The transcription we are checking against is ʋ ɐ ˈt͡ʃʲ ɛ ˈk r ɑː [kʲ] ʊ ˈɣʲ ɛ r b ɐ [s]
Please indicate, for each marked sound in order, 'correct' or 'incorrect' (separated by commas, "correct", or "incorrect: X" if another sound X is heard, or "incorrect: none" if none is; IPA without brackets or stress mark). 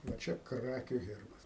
correct, correct